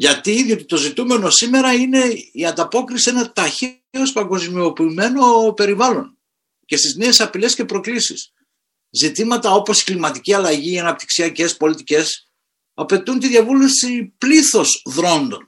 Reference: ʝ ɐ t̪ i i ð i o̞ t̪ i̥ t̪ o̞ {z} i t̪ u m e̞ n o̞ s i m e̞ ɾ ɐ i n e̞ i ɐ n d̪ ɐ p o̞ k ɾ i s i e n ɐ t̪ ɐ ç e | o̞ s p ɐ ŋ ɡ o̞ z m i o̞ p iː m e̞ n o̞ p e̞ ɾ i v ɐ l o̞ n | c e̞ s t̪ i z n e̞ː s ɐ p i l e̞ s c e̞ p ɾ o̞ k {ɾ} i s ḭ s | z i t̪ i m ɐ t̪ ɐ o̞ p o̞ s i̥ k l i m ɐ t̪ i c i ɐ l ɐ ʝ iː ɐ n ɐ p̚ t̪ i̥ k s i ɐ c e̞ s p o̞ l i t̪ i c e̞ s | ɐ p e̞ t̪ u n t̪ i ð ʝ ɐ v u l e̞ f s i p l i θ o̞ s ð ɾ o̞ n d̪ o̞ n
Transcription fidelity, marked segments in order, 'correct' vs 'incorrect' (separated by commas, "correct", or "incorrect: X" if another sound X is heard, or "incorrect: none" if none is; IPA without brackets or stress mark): correct, incorrect: l